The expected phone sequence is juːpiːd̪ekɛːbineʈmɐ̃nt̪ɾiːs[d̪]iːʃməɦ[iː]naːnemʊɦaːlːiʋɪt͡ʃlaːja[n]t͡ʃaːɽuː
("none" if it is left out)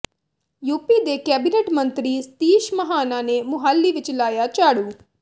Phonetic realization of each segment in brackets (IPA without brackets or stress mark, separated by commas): t̪, aː, none